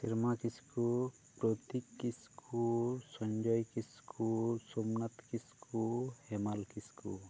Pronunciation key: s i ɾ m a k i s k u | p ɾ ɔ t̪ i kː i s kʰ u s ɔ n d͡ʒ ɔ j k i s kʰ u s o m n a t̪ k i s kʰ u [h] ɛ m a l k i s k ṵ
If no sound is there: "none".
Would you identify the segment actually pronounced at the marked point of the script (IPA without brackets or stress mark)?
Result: h